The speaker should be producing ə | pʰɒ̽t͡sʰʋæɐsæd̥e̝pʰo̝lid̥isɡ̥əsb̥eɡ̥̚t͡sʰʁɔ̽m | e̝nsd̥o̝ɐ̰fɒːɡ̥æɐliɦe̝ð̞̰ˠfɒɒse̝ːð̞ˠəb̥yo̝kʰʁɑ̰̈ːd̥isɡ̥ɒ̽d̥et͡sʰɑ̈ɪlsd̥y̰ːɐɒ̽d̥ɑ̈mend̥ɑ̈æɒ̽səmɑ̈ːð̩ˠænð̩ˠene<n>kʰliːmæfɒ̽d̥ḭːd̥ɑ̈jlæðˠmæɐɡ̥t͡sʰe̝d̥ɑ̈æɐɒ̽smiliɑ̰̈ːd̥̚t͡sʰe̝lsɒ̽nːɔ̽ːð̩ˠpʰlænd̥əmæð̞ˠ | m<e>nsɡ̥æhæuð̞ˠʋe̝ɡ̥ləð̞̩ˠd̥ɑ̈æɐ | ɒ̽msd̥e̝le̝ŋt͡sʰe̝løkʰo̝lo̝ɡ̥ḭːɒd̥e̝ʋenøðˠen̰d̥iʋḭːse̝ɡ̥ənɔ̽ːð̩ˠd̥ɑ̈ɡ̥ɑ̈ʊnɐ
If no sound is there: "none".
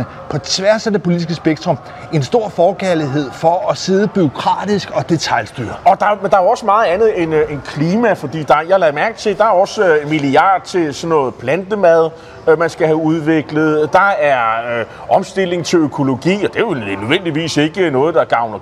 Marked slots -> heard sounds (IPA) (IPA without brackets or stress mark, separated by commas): n, æ